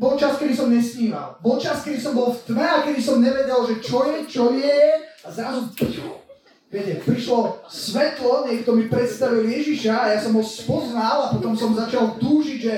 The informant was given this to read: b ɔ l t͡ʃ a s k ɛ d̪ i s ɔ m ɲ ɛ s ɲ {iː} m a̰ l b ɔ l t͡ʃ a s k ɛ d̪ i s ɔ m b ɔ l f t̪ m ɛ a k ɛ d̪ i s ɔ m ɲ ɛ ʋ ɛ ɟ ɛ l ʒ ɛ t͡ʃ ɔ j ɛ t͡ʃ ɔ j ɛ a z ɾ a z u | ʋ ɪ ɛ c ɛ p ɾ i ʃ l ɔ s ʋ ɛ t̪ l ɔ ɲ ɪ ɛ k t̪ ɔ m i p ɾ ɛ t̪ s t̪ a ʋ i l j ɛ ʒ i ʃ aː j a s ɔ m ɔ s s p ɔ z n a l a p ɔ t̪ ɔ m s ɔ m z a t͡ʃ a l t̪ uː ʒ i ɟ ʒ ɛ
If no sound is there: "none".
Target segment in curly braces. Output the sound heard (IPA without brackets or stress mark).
iː